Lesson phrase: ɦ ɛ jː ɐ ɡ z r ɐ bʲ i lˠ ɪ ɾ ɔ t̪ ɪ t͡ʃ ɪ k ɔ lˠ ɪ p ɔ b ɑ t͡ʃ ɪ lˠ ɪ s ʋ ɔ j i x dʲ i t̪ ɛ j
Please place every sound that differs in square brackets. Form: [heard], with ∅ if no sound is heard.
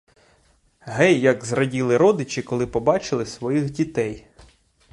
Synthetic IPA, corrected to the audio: ɦ ɛ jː ɐ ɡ z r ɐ [dʲ] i lˠ ɪ ɾ ɔ [d̪] ɪ t͡ʃ ɪ k ɔ lˠ ɪ p ɔ b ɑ t͡ʃ ɪ lˠ ɪ s ʋ ɔ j i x dʲ i t̪ ɛ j